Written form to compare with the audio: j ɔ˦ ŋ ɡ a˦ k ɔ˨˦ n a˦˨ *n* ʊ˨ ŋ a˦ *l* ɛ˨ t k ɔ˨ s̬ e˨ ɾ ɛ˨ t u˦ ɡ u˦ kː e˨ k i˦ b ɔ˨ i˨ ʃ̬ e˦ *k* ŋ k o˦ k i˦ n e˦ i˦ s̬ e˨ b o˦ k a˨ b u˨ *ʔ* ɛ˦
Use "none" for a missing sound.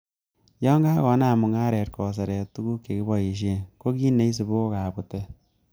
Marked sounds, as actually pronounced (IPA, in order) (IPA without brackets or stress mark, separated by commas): m, ɾ, none, t